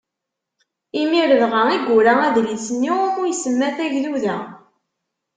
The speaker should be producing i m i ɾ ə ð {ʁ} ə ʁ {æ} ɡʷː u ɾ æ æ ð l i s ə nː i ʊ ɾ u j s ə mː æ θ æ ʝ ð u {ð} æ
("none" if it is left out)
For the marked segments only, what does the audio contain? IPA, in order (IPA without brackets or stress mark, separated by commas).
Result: ʁ, i, ð